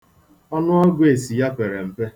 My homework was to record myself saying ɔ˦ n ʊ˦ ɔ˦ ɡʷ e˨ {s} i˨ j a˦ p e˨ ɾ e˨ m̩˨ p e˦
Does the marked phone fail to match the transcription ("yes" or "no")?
no